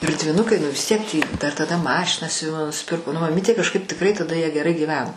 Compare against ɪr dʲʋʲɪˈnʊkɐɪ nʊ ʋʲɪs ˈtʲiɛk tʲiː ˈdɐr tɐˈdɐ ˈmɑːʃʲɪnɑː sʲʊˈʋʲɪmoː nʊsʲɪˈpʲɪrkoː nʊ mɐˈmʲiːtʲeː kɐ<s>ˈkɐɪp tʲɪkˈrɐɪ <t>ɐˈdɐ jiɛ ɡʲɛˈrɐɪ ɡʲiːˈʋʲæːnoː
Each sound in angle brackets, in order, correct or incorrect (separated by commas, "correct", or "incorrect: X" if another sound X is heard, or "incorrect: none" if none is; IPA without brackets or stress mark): incorrect: ʃ, correct